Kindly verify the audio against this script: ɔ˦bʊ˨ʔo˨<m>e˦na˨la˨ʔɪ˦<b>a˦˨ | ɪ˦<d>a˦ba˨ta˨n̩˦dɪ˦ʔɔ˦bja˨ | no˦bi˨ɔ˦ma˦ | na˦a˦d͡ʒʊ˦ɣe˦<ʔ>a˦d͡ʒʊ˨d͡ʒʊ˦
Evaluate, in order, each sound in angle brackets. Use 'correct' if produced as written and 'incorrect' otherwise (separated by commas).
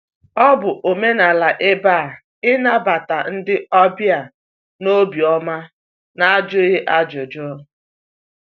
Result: correct, correct, incorrect, correct